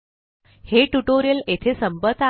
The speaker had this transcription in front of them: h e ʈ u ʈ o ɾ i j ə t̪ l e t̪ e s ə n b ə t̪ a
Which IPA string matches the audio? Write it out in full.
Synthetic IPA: h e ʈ u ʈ o ɾ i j ə l e t̪ʰ e s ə m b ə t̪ a